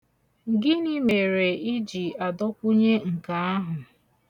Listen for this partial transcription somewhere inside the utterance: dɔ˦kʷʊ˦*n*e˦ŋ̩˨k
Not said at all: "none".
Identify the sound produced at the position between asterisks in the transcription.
ɲ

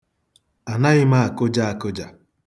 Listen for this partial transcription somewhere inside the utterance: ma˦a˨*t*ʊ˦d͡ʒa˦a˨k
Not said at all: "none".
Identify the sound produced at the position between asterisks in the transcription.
k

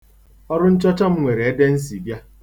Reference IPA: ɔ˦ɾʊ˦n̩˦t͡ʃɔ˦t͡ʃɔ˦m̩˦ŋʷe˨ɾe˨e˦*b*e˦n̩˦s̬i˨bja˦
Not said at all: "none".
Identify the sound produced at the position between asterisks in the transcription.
d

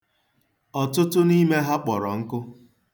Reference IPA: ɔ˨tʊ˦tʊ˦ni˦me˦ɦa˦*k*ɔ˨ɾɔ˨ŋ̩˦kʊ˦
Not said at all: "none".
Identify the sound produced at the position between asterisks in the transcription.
k͡p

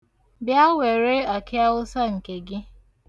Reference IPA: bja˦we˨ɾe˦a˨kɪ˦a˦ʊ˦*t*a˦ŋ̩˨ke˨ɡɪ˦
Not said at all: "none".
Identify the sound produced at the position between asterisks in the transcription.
s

